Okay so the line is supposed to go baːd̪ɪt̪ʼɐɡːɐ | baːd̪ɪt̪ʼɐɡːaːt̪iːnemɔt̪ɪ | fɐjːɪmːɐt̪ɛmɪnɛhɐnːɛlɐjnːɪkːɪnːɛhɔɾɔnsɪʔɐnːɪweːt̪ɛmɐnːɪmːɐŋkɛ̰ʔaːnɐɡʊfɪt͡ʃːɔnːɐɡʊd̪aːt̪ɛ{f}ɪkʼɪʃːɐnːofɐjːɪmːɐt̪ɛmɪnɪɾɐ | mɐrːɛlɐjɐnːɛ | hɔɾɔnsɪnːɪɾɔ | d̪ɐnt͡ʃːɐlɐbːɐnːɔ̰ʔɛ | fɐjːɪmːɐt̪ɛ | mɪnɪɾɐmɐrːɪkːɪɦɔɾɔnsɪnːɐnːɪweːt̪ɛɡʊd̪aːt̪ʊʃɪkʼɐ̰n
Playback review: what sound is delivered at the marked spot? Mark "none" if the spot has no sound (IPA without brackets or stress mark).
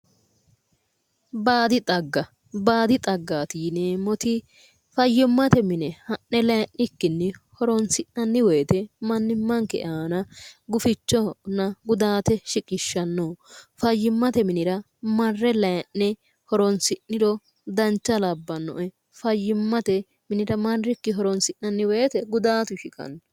ʃ